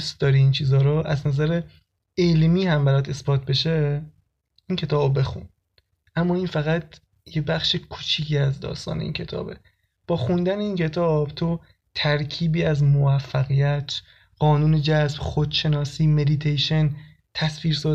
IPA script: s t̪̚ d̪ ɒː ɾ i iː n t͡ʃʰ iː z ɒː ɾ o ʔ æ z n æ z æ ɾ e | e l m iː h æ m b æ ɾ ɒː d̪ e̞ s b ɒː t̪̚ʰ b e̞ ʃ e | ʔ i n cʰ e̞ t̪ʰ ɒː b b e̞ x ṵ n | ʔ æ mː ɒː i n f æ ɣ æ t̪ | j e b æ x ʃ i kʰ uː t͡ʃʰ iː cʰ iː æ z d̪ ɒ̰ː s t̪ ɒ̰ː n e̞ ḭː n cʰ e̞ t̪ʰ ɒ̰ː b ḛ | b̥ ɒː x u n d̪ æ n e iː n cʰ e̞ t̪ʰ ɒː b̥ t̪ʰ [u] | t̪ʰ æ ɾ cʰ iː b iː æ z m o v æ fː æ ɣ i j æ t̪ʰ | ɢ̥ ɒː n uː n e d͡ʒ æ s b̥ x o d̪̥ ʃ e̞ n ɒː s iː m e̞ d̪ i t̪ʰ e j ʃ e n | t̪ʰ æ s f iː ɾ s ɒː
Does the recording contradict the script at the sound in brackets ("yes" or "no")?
yes